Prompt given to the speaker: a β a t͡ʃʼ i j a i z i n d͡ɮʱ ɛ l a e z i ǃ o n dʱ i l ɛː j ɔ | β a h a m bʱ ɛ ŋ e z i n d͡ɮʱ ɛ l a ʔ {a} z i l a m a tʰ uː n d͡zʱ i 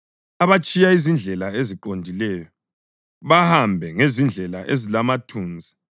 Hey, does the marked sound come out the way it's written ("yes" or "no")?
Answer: no